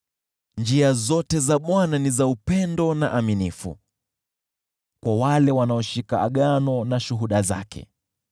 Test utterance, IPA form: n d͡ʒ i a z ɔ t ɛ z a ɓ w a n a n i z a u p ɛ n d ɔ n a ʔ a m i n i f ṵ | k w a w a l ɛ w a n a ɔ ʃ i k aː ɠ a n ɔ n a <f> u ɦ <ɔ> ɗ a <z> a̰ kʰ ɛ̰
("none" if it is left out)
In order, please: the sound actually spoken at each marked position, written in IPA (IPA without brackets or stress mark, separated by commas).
ʃ, u, z